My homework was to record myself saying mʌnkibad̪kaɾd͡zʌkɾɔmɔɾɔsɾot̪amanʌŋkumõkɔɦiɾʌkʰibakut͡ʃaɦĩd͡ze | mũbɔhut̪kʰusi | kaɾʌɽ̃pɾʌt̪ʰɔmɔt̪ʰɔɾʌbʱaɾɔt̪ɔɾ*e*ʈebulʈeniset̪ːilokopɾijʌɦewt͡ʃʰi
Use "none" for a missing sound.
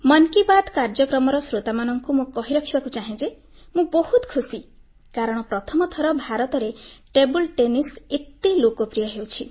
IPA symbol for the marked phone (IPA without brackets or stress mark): e